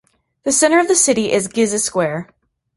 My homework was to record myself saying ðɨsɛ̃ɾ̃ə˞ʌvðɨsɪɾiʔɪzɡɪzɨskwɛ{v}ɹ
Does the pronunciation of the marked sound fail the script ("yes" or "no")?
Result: yes